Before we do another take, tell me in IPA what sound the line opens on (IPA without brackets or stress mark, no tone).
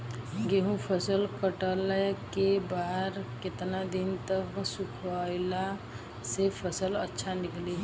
ɡ